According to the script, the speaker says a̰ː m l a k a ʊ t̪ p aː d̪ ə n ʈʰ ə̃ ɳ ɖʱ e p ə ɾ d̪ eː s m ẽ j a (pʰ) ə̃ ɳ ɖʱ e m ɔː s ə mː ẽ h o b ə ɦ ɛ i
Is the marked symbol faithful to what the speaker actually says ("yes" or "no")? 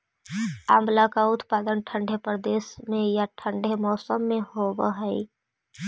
no